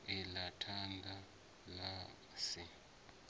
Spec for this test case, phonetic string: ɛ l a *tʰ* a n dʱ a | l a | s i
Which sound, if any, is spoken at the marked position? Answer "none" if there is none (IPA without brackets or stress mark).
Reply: tʰ